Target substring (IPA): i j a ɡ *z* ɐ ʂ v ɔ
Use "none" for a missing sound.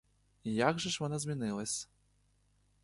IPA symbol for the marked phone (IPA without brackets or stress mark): ʐ